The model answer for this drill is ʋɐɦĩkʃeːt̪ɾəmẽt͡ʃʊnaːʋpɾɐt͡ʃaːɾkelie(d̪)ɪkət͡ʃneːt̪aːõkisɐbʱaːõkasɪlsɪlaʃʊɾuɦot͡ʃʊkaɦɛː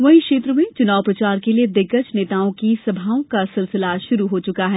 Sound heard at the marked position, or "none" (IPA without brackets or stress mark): d̪